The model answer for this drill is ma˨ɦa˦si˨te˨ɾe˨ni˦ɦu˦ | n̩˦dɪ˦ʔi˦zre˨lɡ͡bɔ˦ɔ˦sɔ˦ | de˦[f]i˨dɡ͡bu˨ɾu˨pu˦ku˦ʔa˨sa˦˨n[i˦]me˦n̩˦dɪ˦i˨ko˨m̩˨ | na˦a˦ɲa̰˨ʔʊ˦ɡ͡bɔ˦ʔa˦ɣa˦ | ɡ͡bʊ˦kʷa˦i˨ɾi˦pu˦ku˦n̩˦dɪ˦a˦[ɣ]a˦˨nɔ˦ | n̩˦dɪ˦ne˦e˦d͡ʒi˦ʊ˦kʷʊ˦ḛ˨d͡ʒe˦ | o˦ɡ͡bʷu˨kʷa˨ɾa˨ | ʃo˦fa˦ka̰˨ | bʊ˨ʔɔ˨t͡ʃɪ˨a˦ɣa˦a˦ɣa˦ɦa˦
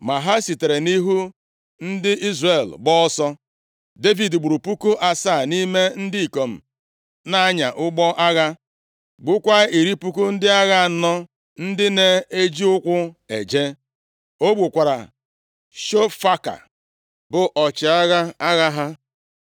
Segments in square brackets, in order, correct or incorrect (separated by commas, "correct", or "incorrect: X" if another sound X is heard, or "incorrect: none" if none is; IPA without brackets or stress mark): incorrect: v, correct, correct